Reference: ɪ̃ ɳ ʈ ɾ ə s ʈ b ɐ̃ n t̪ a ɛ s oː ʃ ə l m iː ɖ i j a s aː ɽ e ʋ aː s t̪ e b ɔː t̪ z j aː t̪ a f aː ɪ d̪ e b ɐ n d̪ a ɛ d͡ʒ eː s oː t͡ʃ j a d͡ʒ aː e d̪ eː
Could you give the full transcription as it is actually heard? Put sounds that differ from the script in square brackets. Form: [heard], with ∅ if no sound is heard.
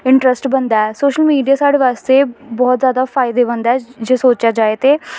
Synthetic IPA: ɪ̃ ɳ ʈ ɾ ə s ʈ b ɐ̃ n [d̪] a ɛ s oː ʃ ə l m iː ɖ i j a s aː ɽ e ʋ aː s t̪ e b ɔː t̪ z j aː [d̪] a f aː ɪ d̪ e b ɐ n d̪ a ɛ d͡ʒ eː s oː t͡ʃ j a d͡ʒ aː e [t̪] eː